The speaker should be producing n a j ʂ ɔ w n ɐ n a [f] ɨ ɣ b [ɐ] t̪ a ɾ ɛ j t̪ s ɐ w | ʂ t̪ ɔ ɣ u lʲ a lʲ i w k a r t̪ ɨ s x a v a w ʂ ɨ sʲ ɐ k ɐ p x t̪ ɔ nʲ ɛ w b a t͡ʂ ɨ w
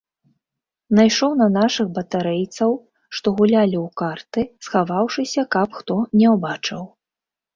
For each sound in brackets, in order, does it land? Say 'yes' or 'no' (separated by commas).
no, yes